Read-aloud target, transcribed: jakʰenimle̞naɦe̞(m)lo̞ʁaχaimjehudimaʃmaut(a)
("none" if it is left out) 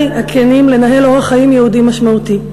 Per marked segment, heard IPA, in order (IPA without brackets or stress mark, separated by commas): none, i